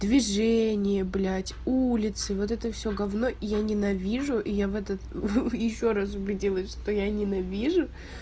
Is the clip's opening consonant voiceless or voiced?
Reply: voiced